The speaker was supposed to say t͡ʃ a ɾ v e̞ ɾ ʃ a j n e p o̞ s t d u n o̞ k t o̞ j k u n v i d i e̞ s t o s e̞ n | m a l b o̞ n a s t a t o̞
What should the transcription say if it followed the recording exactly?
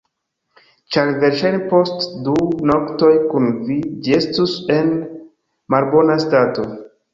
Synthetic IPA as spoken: t͡ʃ a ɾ v e̞ ɾ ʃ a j n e p o̞ s t d u n o̞ k t o̞ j k u n v i d͡ʒ i e̞ s t u s e̞ n | m a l b o̞ n a s t a t o̞